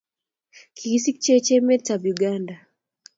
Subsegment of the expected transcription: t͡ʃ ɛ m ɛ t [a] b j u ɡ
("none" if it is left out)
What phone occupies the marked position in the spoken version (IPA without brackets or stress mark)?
a